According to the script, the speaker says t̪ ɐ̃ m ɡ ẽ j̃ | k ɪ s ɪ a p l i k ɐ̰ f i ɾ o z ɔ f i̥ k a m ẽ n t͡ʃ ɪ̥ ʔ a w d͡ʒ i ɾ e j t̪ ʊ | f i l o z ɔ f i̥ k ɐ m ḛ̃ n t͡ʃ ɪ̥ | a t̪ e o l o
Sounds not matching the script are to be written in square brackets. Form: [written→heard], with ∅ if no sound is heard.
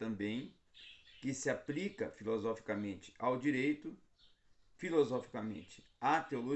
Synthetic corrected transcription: t̪ ɐ̃ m [ɡ→b] ẽ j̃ | k ɪ s ɪ a p l i k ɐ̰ f i [ɾ→l] o z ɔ f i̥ k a m ẽ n t͡ʃ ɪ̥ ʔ a w d͡ʒ i ɾ e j t̪ ʊ | f i l o z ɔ f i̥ k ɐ m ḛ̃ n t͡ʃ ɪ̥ | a t̪ e o l o